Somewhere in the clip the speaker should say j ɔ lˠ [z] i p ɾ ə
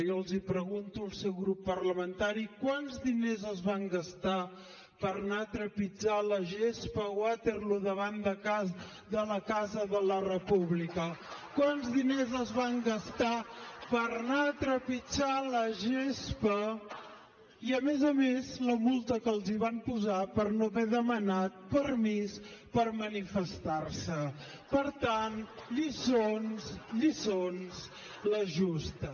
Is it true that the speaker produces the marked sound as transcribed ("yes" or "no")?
yes